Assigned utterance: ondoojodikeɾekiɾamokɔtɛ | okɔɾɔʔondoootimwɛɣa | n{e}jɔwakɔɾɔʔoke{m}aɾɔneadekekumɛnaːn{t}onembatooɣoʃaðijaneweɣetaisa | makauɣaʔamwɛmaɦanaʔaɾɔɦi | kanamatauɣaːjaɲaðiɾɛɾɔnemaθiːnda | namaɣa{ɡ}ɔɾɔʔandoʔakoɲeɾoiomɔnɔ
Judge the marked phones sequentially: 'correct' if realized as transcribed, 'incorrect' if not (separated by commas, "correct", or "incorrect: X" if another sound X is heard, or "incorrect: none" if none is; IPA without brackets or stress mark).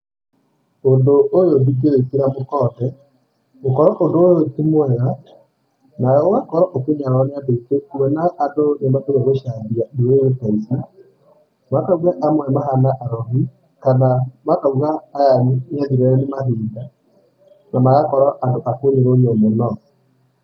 incorrect: a, incorrect: ɲ, incorrect: d, incorrect: k